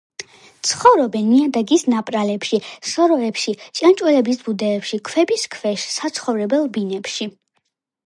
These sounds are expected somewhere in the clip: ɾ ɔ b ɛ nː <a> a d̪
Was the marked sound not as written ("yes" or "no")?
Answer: yes